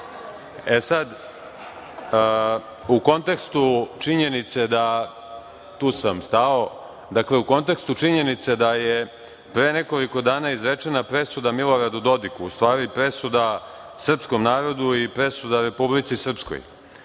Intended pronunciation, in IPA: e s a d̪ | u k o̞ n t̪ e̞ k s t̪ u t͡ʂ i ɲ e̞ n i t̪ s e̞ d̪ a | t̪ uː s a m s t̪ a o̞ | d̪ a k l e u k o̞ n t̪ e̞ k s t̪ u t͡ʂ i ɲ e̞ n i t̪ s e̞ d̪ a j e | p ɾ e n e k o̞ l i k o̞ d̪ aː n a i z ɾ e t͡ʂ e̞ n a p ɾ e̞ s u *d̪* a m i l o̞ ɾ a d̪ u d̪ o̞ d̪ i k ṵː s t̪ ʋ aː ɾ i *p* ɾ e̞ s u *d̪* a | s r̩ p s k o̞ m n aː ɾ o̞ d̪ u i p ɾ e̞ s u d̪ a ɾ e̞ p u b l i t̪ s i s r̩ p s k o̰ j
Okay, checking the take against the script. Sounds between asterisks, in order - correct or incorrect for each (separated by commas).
correct, correct, correct